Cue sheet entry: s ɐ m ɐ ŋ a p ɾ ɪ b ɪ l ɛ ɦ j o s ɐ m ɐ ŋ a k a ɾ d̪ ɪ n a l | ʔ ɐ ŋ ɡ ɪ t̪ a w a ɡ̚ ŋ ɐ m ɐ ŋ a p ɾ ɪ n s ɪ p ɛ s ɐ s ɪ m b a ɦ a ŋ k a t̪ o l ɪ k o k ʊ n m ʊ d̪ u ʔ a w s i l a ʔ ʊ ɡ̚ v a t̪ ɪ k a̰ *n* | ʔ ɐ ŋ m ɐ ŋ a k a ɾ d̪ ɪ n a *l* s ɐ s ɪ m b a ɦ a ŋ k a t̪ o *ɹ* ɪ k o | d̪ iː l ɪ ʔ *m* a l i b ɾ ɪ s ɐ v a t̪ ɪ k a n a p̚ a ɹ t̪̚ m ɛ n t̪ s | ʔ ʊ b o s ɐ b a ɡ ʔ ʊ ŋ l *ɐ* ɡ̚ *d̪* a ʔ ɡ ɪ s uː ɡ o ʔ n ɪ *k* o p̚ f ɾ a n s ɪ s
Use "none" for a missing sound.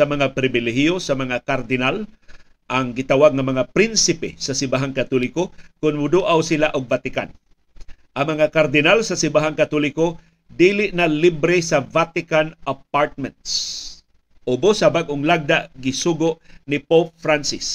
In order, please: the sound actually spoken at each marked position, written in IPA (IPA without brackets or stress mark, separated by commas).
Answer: n, l, l, n, a, d̪, p